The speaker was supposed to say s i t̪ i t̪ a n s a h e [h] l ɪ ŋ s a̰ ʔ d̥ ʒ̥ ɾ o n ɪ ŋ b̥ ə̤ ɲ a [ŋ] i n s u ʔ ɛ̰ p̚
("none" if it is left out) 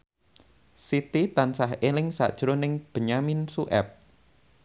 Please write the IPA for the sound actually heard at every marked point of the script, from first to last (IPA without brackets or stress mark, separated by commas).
none, m